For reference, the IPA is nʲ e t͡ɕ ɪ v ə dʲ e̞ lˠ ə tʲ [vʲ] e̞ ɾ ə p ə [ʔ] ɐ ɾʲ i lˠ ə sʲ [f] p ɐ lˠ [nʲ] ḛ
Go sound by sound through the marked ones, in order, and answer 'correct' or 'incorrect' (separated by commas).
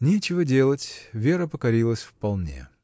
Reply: correct, incorrect, correct, correct